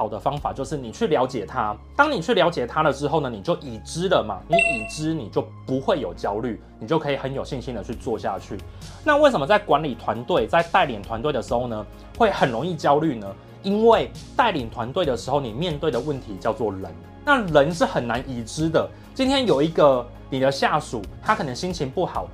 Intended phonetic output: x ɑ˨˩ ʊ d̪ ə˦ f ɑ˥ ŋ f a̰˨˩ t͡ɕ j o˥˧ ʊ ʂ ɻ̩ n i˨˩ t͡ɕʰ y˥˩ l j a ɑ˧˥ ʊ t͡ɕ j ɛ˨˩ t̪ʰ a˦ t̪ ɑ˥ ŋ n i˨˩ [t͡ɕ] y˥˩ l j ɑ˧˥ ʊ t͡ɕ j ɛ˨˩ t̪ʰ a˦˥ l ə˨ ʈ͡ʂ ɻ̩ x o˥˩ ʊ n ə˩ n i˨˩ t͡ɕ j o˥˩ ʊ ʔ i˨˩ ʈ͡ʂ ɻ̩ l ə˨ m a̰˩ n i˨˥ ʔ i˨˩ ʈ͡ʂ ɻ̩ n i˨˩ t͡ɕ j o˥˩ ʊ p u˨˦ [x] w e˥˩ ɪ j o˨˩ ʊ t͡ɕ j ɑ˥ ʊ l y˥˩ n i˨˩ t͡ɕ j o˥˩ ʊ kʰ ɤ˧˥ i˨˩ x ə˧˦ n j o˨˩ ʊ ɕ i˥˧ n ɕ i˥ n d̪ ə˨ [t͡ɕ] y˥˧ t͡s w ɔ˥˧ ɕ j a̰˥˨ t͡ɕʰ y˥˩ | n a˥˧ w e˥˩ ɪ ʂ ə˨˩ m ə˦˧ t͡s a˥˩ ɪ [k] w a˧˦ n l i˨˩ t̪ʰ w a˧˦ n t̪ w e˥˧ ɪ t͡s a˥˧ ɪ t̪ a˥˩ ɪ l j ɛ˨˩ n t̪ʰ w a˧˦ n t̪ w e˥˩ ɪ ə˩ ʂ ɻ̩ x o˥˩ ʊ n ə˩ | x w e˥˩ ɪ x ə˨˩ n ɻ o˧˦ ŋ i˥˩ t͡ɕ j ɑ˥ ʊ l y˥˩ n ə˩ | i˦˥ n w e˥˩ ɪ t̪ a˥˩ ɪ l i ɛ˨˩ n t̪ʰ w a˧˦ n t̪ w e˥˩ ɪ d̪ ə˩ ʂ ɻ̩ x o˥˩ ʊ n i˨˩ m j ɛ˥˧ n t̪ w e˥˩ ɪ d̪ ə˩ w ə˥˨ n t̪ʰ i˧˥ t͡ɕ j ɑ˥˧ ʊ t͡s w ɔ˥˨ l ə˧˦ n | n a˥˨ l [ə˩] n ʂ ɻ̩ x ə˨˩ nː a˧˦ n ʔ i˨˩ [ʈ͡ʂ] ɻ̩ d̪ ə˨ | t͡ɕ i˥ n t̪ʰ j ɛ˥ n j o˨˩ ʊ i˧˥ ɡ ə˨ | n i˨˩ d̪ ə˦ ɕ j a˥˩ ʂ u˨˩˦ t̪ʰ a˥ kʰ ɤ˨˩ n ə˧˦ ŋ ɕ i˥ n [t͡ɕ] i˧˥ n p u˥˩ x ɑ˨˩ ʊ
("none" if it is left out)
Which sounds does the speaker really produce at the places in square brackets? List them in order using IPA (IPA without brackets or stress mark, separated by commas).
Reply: t͡ɕʰ, x, t͡ɕʰ, k, ə˧˦, ʈ͡ʂ, t͡ɕʰ